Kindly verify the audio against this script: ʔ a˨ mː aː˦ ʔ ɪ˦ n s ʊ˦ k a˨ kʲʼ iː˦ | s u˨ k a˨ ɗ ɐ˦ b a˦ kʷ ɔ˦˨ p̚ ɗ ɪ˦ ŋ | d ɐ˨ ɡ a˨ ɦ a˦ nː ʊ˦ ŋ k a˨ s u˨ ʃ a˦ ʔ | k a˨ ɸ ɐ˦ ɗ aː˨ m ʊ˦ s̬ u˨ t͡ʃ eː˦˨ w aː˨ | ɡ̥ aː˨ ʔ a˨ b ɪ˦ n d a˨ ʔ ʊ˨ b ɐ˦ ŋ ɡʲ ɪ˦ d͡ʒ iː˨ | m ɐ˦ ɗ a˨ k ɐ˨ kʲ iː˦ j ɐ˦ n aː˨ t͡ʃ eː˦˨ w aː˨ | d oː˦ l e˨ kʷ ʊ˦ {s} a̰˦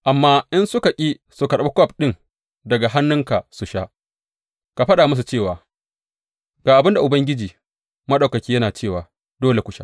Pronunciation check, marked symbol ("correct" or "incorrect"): incorrect